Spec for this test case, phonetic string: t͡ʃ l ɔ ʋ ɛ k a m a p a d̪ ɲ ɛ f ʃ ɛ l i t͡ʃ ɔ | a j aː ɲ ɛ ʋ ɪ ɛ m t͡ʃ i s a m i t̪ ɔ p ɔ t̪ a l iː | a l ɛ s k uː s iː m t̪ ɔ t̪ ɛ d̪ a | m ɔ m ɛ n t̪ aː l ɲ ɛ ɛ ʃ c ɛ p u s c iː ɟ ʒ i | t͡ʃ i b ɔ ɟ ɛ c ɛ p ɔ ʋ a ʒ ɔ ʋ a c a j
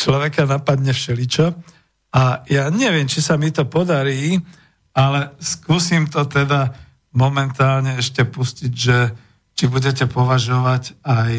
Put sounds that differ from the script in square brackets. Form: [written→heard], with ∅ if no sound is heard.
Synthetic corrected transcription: t͡ʃ l ɔ ʋ ɛ k a [m→n] a p a d̪ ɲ ɛ f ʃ ɛ l i t͡ʃ ɔ | a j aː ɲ ɛ ʋ ɪ ɛ m t͡ʃ i s a m i t̪ ɔ p ɔ [t̪→d̪] a [l→ɾ] iː | a l ɛ s k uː s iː m t̪ ɔ t̪ ɛ d̪ a | m ɔ m ɛ n t̪ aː l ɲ ɛ ɛ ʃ c ɛ p u s c [iː→i] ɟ ʒ [i→ɛ] | t͡ʃ i b [ɔ→u] ɟ ɛ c ɛ p ɔ ʋ a ʒ ɔ ʋ a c a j